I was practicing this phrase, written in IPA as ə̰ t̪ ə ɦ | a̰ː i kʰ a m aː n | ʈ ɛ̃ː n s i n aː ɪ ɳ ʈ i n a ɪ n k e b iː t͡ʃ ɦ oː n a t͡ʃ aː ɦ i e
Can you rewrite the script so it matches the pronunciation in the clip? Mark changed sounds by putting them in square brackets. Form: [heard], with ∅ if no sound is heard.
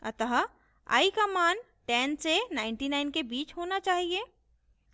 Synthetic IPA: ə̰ t̪ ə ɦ | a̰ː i [k] a m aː n | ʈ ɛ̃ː n s [e] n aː ɪ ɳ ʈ i n a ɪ n k e b iː t͡ʃ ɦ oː n a t͡ʃ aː ɦ i e